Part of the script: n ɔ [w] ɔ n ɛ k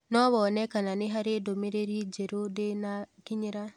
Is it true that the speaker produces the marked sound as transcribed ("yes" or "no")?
no